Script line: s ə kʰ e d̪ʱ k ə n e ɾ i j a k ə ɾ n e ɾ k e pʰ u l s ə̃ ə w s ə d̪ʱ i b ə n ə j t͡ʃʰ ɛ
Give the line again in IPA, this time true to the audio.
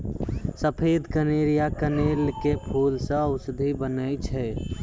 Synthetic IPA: s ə pʰ e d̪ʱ k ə n e ɾ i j a k ə n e l k e pʰ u l s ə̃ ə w s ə d̪ʱ i b ə n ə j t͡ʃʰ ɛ